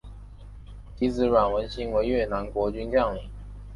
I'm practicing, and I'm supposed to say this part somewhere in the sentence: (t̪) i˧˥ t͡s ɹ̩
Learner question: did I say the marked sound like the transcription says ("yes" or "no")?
yes